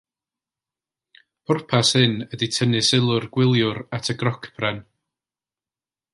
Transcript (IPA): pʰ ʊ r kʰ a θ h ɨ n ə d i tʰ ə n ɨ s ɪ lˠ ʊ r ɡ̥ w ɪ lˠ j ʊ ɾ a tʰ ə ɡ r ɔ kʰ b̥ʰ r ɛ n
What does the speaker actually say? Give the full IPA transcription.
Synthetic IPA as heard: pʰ ʊ r pʰ a s h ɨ n ə d i tʰ ə n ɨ s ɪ lˠ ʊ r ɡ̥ w ɪ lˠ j ʊ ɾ a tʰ ə ɡ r ɔ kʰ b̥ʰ r ɛ n